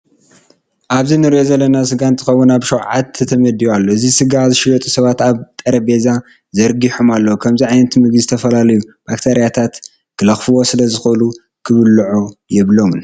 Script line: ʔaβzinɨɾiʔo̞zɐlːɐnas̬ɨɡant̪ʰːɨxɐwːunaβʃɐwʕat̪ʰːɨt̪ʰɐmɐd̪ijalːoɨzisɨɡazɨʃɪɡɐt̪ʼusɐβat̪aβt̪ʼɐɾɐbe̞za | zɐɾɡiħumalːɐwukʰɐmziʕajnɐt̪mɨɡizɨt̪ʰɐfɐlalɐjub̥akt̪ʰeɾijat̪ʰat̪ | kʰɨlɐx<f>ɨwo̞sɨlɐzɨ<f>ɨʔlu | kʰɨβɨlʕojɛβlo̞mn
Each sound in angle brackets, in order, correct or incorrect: correct, incorrect: x

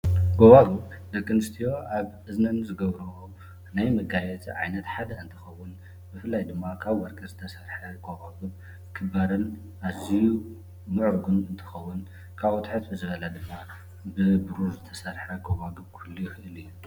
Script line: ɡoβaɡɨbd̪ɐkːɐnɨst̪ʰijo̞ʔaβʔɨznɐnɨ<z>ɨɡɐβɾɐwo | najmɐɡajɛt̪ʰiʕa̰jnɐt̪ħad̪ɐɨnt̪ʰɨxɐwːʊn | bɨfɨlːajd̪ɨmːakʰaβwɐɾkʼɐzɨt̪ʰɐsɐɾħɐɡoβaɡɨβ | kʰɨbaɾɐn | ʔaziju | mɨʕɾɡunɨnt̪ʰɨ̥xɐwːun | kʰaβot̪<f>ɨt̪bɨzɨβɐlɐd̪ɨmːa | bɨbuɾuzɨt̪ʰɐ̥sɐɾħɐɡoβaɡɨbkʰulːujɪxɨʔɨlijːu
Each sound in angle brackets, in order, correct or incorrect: correct, incorrect: ħ

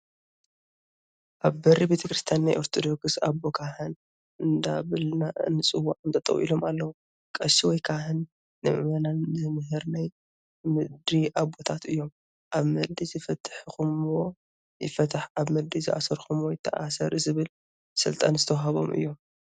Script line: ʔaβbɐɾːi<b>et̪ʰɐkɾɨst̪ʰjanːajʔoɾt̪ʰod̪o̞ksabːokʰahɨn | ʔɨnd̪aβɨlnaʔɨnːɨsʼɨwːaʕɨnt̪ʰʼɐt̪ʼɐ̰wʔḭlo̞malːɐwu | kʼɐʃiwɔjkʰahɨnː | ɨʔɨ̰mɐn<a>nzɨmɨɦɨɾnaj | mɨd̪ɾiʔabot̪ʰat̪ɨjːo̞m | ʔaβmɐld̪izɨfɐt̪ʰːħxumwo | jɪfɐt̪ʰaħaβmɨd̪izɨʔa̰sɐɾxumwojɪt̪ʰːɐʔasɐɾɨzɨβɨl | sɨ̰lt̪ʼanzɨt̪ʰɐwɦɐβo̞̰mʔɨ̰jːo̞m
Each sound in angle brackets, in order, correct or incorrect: correct, correct

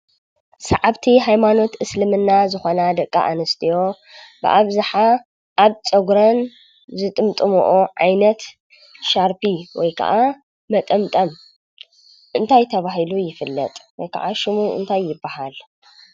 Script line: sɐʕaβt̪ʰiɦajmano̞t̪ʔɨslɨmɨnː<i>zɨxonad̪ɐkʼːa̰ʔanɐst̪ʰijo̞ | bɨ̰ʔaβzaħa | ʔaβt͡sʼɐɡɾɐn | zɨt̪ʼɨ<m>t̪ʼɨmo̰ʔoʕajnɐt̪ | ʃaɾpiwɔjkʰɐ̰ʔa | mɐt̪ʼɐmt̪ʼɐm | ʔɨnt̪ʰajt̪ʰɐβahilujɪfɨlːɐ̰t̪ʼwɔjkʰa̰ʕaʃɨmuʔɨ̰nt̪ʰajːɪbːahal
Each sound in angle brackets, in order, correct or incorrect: incorrect: a, correct

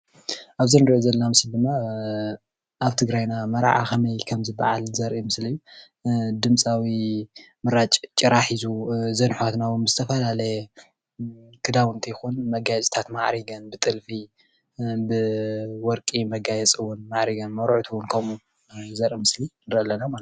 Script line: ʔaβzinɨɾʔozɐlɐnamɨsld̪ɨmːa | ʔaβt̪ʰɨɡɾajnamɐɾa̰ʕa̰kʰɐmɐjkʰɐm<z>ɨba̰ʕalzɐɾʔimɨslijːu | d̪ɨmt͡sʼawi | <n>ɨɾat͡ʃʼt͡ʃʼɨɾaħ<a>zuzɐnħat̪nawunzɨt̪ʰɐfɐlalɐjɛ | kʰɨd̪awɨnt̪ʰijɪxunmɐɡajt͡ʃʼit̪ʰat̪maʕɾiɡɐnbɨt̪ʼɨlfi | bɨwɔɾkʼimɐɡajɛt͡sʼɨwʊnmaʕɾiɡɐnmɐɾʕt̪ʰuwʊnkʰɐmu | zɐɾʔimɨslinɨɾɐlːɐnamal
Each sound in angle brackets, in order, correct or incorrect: correct, incorrect: m, incorrect: i

